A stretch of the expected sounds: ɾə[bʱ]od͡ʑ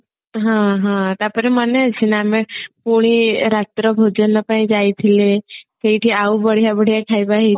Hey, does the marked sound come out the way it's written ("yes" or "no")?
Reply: yes